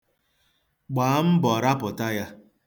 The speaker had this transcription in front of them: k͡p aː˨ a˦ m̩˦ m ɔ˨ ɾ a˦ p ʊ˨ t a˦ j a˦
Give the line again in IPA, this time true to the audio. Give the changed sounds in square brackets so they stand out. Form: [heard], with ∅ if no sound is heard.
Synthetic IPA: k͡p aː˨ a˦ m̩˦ [b] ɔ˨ ɾ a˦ p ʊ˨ t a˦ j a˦